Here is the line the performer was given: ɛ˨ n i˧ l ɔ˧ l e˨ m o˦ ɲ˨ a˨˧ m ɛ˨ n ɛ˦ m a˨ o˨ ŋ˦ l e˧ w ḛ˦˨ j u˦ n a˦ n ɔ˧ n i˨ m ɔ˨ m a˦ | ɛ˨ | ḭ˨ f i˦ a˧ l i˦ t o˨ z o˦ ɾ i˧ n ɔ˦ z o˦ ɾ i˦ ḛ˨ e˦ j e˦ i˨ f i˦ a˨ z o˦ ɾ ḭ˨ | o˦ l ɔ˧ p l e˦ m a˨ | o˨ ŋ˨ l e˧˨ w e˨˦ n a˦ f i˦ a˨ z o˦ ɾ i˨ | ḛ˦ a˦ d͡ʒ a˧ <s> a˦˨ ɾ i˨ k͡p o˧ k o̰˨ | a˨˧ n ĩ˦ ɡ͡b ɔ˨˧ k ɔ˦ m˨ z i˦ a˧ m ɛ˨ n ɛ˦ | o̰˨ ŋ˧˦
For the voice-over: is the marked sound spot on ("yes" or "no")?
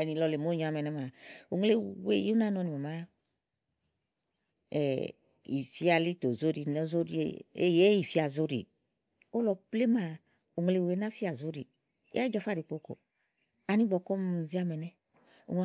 no